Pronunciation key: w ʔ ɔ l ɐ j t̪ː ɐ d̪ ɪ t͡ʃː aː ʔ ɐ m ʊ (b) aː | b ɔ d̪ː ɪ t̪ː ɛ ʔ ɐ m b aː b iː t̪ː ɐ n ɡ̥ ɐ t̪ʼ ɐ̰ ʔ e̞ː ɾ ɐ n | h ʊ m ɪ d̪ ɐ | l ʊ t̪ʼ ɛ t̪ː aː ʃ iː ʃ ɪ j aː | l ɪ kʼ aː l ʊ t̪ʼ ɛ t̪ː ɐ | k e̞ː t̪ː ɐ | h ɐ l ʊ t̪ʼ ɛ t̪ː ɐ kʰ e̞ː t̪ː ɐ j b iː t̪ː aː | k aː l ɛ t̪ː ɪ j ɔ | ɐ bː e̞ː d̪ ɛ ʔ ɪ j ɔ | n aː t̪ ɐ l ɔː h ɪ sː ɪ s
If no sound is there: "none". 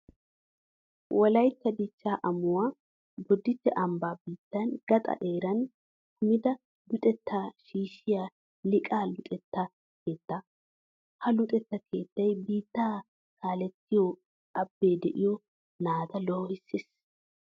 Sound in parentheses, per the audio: w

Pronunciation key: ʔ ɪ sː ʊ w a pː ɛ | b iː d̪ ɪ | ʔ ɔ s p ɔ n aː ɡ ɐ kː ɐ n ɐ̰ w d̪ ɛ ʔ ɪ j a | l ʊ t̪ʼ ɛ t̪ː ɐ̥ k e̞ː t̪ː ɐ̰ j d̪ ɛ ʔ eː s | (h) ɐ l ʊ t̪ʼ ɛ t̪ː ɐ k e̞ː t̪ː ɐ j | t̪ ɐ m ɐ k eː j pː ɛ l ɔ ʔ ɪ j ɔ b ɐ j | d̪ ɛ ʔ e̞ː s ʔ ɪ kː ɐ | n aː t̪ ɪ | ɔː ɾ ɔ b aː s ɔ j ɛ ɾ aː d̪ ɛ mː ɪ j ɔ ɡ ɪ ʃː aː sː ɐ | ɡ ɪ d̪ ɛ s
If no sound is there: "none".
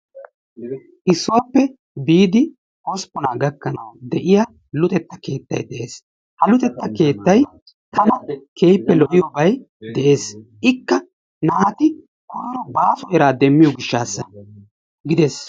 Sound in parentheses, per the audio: h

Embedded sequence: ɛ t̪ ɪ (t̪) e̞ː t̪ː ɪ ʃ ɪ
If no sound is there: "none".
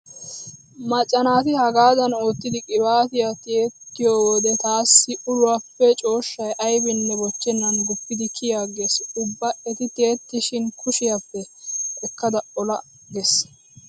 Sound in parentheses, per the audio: t̪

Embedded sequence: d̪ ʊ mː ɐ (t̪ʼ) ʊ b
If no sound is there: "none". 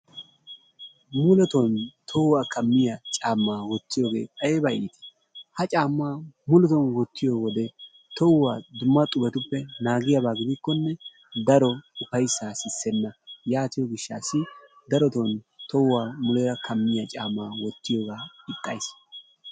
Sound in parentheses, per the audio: t̪ʼ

